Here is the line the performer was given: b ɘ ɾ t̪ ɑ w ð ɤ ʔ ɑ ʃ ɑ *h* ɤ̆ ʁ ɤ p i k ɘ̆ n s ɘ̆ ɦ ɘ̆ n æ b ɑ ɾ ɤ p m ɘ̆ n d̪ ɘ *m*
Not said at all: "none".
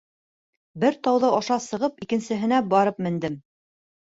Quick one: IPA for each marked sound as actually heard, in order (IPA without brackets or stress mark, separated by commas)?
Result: s, m